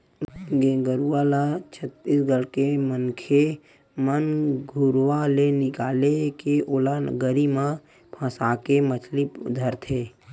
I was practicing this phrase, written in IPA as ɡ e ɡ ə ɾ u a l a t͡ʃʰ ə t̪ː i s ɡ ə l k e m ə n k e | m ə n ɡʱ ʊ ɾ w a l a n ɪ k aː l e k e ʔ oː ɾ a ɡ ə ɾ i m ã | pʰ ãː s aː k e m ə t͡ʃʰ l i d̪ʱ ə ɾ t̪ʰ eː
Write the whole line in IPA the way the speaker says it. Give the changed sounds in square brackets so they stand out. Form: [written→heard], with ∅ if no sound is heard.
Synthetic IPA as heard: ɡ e ɡ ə ɾ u a l a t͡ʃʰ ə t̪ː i s ɡ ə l k e m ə n [k→kʰ] e | m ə n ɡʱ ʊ ɾ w a l [a→e] n ɪ k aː l e k e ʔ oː [ɾ→l] a ɡ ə ɾ i m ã | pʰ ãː s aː k e m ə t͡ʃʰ l i d̪ʱ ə ɾ t̪ʰ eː